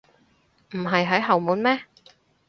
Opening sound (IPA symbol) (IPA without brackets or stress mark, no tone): m̩